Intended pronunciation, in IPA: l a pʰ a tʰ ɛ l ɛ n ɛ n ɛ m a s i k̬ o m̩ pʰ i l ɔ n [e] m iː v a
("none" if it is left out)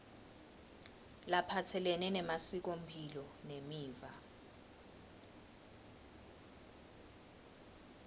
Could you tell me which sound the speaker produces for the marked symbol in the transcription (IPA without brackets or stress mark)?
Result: e